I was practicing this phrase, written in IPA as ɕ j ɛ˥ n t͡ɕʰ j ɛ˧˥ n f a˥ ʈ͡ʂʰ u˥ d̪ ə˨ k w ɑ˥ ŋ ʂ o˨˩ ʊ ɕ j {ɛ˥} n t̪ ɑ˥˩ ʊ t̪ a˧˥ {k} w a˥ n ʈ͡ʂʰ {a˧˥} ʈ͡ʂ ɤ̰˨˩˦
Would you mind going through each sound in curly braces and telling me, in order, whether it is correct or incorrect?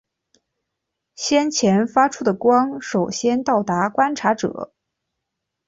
correct, correct, correct

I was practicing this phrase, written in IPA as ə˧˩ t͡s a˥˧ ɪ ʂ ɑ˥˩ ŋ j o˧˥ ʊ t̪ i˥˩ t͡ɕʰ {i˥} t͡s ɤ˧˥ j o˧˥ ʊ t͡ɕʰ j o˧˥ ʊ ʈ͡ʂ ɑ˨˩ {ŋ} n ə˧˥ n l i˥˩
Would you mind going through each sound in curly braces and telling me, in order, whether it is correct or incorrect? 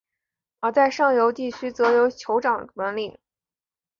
incorrect: y˥, correct

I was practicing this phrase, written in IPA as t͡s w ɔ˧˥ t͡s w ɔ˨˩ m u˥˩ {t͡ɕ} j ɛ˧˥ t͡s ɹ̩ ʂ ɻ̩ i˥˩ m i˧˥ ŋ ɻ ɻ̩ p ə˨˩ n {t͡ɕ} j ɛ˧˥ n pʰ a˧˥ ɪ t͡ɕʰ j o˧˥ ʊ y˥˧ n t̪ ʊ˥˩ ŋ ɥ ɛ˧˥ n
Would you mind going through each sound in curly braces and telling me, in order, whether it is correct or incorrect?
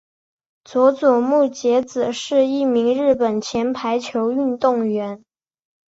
correct, incorrect: t͡ɕʰ

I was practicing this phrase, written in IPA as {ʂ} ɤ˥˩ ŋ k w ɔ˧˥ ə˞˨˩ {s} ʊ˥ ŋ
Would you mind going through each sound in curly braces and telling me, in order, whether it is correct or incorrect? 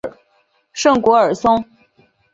correct, correct

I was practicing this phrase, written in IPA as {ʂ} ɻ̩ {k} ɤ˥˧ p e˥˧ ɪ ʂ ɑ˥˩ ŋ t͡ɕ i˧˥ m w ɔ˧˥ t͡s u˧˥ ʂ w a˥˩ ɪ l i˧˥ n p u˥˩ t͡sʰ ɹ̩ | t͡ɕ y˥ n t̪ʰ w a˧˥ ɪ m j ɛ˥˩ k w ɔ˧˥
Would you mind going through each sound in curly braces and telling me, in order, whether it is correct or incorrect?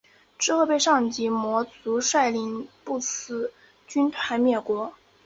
incorrect: ʈ͡ʂ, incorrect: x

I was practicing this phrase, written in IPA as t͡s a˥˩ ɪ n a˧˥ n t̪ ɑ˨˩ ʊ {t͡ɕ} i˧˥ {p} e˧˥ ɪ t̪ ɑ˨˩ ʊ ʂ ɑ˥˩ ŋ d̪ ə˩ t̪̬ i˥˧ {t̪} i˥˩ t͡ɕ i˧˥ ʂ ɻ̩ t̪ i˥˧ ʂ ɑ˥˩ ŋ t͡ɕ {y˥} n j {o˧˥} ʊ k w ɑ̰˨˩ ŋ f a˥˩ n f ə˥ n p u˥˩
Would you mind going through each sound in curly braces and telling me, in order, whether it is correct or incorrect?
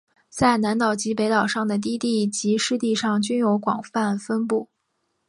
correct, correct, correct, correct, correct

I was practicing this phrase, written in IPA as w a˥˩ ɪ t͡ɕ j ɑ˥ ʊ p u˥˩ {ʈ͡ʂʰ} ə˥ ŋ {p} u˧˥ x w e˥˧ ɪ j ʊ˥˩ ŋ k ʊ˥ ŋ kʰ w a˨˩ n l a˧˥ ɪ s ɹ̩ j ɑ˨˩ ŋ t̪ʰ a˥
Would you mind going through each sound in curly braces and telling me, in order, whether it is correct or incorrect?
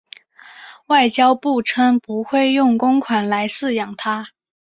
correct, correct

